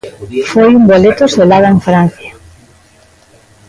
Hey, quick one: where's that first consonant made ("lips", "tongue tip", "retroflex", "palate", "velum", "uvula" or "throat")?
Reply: lips